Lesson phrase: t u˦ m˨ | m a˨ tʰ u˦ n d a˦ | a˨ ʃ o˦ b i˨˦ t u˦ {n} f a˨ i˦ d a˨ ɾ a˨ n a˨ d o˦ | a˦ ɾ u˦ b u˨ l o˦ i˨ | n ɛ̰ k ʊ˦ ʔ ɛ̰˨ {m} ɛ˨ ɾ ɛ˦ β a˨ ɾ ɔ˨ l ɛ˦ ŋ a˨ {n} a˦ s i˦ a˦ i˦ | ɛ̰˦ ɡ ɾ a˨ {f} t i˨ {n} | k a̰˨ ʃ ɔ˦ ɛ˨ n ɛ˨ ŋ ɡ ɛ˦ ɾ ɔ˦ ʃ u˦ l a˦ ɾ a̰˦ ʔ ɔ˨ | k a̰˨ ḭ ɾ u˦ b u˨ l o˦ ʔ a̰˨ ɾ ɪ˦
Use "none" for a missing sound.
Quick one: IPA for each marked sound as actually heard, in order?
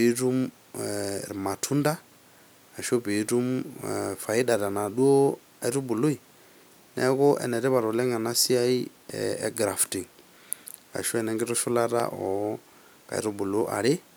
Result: m, n, n, f, ŋ

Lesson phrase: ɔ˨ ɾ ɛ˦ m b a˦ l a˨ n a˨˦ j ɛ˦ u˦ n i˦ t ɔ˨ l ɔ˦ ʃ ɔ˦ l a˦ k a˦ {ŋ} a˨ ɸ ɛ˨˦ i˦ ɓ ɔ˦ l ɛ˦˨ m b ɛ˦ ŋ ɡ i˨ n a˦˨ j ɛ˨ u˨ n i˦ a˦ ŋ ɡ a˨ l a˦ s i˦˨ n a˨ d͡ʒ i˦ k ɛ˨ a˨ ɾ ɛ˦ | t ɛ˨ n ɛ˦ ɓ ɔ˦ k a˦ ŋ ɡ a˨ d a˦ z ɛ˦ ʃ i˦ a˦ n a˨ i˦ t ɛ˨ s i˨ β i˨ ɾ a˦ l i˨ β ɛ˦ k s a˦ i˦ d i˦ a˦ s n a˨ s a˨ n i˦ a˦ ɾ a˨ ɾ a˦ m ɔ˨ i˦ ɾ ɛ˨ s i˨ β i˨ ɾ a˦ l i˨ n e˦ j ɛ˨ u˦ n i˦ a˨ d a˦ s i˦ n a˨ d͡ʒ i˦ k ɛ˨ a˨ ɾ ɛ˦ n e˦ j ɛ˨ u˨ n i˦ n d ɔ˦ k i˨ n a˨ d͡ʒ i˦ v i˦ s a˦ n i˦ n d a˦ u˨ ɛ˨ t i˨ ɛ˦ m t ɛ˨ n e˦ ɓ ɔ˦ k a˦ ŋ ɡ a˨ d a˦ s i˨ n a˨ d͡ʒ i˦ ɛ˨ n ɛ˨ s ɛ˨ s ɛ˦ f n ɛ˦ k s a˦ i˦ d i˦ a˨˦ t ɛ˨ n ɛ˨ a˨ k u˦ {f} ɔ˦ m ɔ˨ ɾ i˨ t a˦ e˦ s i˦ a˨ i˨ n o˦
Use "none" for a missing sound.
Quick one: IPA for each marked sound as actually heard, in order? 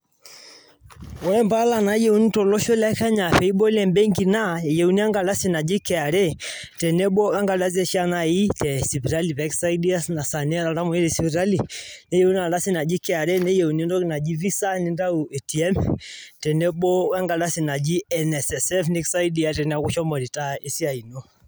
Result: ɲ, ʃ

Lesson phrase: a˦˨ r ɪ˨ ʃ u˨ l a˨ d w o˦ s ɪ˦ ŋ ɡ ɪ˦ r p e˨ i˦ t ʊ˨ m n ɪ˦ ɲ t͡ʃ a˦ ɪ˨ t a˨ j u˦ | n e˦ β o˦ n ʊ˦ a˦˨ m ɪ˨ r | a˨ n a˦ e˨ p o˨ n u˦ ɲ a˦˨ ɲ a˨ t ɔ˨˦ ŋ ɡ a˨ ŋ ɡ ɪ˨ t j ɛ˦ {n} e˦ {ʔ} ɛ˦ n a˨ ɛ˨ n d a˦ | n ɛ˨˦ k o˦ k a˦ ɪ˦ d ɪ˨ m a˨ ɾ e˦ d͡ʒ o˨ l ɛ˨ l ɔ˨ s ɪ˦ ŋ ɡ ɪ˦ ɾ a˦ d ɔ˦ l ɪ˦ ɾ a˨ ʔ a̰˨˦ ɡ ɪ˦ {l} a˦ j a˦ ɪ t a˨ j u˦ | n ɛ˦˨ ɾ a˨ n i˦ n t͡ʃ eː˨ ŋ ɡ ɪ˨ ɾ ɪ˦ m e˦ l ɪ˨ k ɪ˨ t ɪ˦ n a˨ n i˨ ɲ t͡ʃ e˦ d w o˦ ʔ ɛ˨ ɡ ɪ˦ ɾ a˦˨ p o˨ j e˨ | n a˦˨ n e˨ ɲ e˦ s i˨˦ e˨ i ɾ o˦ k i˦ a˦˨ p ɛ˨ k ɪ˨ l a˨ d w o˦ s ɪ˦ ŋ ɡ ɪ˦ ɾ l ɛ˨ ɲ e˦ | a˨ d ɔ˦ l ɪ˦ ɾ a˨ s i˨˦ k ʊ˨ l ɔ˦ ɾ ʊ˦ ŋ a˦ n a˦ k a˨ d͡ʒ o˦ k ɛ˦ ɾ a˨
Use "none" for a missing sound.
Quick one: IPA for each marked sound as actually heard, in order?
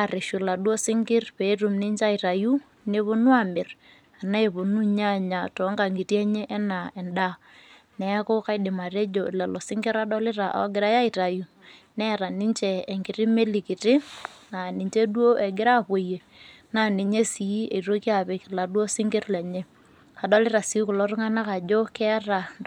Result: ɲ, ʔ, ɾ

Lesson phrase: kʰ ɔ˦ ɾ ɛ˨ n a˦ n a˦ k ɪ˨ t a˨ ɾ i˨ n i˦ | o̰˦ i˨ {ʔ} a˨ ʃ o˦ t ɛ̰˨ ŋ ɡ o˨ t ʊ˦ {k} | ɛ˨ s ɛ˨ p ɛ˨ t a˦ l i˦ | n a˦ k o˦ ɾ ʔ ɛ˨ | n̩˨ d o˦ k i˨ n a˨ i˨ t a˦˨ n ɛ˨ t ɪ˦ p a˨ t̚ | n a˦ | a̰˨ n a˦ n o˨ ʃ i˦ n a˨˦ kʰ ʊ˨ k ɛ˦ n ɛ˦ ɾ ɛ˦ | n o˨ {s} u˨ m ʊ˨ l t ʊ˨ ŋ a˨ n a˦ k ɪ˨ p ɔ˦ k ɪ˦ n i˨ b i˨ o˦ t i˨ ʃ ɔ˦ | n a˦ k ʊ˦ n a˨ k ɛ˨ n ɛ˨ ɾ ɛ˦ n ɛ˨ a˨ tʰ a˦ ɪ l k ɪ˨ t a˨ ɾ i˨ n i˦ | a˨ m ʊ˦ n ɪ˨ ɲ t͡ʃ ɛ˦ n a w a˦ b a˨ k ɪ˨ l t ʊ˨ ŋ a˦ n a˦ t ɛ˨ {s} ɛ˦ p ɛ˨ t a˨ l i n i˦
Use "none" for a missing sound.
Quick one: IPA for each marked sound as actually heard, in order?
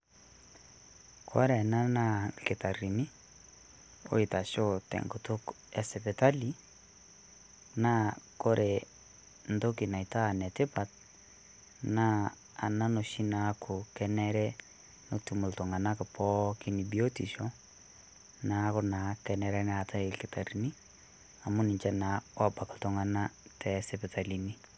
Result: t, k, t, s

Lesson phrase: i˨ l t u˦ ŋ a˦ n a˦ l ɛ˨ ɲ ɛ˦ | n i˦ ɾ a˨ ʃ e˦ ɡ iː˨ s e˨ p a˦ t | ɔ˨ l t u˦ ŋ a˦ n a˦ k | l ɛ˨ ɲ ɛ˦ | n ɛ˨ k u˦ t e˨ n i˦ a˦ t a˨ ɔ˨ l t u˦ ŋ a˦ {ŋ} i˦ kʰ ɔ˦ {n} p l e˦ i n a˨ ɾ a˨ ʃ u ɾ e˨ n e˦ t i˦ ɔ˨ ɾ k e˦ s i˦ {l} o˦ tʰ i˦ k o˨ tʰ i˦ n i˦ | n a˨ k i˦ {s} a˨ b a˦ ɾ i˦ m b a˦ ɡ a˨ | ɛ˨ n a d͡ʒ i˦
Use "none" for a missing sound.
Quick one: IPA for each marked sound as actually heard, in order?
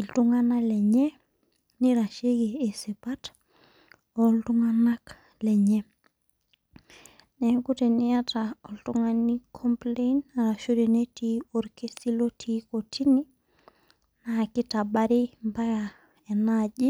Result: n, m, l, t

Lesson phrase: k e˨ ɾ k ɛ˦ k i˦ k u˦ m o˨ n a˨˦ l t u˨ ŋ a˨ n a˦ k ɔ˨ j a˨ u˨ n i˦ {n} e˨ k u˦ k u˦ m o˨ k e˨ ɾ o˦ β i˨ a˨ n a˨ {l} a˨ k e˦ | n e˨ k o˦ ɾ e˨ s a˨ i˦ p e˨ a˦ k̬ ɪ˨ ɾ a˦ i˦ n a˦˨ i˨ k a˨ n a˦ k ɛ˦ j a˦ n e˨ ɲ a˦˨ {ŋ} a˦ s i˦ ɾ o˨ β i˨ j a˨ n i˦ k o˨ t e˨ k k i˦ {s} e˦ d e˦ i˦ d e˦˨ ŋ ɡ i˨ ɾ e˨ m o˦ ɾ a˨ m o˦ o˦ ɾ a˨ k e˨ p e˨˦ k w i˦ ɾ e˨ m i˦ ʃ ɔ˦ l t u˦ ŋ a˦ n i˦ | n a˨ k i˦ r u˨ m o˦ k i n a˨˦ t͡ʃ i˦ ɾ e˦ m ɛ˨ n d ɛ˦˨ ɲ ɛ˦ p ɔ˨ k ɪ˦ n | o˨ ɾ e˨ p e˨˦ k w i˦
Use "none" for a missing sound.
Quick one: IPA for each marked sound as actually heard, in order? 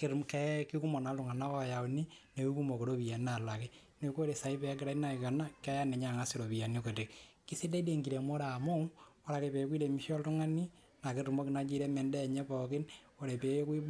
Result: n, l, ŋ, s

